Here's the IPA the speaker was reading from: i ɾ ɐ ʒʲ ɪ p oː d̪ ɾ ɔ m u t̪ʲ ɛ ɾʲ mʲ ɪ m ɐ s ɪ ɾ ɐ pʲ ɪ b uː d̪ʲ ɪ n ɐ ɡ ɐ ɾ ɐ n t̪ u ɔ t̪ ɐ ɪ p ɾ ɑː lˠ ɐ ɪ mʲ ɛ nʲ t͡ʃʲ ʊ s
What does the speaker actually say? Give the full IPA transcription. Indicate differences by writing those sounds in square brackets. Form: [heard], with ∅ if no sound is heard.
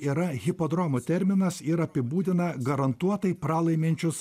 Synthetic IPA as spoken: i ɾ ɐ [ɣʲ] ɪ p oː d̪ ɾ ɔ m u t̪ʲ ɛ ɾʲ mʲ ɪ [n] ɐ s ɪ ɾ ɐ pʲ ɪ b uː d̪ʲ ɪ n ɐ ɡ ɐ ɾ ɐ n t̪ u ɔ t̪ ɐ ɪ p ɾ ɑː lˠ ɐ ɪ mʲ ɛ nʲ t͡ʃʲ ʊ s